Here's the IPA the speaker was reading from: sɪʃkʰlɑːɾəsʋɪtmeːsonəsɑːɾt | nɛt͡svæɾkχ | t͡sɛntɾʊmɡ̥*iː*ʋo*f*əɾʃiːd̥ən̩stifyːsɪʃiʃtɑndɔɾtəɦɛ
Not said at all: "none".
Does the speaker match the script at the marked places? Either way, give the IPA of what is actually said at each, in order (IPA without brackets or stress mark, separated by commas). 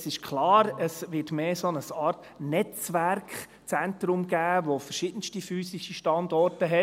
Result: æː, f